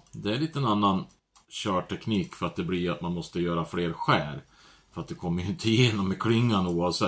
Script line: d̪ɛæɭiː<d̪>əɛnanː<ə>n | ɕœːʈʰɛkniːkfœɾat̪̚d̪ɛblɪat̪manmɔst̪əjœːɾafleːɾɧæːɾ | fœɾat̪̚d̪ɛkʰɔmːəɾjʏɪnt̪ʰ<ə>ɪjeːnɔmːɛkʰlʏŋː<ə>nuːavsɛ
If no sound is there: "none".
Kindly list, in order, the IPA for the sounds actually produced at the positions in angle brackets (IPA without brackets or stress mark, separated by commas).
t̪, a, ə, a